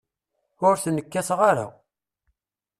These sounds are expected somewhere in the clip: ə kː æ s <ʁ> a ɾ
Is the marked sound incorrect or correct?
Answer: correct